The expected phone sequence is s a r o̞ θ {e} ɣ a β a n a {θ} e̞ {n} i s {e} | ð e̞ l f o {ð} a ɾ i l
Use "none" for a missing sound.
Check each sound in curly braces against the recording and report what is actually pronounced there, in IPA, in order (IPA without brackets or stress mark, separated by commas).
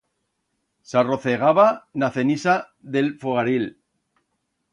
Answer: e, θ, n, a, ɣ